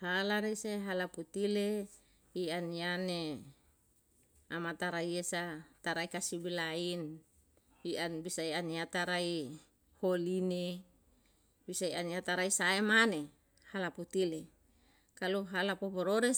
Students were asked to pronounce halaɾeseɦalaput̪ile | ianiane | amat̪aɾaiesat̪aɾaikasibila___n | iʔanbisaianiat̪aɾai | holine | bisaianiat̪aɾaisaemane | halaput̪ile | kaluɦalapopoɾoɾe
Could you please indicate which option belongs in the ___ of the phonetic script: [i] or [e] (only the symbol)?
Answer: i